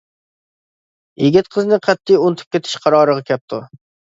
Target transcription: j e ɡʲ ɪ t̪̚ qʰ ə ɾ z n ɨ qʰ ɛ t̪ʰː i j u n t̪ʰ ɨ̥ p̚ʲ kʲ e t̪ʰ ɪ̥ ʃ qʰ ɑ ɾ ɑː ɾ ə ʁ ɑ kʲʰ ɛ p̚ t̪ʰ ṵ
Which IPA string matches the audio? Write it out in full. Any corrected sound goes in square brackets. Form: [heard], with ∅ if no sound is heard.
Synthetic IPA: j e ɡʲ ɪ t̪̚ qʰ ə [∅] z n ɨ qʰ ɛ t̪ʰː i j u n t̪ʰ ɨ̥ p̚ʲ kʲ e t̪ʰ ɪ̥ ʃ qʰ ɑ ɾ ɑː ɾ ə ʁ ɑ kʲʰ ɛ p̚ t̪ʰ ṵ